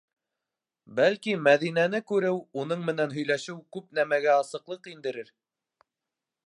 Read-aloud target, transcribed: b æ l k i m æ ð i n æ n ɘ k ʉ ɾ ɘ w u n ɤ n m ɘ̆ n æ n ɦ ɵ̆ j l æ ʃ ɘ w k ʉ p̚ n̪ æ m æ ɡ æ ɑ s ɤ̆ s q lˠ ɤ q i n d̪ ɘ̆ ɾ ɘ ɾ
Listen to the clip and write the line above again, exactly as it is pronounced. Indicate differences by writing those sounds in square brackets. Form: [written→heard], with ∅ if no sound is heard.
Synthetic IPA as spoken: b æ l k i m æ ð i n æ n ɘ k ʉ ɾ ɘ w u n ɤ [n→ɴ] m ɘ̆ n æ n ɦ ɵ̆ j l æ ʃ ɘ w k ʉ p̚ n̪ æ m æ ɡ æ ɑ s ɤ̆ [s→∅] q lˠ ɤ q i n d̪ ɘ̆ ɾ ɘ ɾ